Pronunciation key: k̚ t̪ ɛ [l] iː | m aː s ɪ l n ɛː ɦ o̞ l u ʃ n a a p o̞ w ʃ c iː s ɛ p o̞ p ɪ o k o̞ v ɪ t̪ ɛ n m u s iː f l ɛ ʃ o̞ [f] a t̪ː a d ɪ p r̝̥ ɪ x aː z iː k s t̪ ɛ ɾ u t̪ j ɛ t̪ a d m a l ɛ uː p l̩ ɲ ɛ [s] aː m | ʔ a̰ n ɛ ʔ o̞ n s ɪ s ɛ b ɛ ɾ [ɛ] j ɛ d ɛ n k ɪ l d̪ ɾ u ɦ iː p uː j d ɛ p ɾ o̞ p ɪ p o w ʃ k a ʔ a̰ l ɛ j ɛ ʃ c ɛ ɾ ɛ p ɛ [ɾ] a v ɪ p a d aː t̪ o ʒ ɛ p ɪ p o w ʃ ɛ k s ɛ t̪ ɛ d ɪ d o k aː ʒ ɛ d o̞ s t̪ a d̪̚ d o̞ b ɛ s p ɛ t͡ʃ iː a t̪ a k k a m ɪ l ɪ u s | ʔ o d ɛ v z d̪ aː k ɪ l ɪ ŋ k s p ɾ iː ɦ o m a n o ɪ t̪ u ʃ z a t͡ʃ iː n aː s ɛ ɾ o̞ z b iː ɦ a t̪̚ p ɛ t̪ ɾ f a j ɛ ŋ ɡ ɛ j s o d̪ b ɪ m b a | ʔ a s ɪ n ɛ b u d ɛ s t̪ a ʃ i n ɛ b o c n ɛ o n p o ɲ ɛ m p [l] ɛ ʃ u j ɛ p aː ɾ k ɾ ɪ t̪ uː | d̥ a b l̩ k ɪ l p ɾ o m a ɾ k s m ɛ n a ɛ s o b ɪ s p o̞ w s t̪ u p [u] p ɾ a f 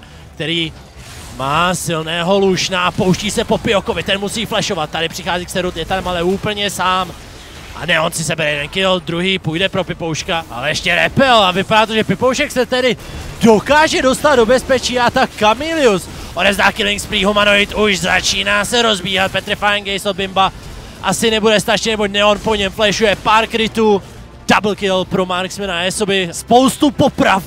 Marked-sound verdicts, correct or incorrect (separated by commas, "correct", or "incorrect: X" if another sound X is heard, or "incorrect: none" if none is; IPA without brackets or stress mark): incorrect: ɾ, incorrect: v, correct, correct, incorrect: l, correct, incorrect: o